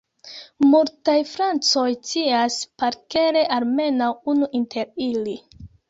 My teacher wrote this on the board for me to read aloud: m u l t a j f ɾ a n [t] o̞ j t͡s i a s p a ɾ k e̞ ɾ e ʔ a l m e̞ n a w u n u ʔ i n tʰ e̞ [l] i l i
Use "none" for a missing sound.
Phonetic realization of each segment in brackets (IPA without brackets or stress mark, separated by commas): t͡s, ɾ